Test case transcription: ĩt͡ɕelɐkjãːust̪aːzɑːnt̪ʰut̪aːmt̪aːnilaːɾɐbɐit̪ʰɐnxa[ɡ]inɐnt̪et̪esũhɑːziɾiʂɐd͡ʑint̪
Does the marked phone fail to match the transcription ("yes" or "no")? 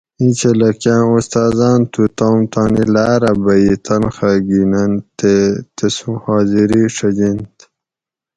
no